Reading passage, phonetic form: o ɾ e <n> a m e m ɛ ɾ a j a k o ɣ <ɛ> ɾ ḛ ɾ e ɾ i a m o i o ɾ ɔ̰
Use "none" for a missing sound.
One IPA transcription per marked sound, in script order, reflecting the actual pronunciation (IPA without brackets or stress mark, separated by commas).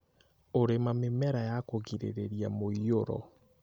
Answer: m, i